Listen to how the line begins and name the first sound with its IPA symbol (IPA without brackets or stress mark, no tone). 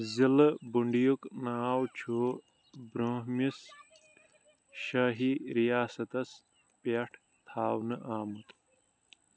z